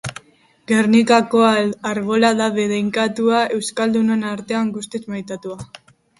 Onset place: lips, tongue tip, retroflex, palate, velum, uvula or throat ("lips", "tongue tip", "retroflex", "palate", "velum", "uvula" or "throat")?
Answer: velum